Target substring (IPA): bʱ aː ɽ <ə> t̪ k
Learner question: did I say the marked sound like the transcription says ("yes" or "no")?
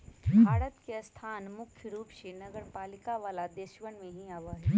yes